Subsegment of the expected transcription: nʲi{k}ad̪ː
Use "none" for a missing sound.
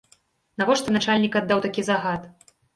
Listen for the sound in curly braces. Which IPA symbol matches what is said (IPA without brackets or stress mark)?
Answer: k